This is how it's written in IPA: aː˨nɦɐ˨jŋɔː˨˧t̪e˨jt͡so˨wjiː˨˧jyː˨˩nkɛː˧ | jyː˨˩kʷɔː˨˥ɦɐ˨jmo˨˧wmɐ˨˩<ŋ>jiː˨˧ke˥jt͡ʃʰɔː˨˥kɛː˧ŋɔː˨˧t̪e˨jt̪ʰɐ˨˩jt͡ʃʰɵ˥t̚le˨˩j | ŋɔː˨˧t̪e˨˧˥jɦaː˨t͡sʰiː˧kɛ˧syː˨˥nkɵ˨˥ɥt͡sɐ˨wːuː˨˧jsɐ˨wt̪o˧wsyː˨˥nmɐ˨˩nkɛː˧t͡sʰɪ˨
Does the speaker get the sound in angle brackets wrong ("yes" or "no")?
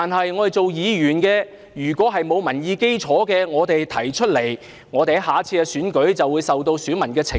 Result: yes